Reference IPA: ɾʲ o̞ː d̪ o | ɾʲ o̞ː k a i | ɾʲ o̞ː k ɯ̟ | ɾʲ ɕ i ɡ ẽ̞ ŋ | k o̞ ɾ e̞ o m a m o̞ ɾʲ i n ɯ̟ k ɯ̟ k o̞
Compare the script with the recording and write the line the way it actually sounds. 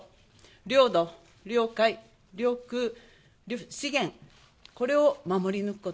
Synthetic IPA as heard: ɾʲ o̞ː d̪ o | ɾʲ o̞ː k a i | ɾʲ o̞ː k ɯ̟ | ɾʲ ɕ i ɡ ẽ̞ ŋ | k o̞ ɾ e̞ o m a m o̞ ɾʲ i n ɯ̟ k ɯ̟ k o̞